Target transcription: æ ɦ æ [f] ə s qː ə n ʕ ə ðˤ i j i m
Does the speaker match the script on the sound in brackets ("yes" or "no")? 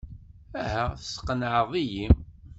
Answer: no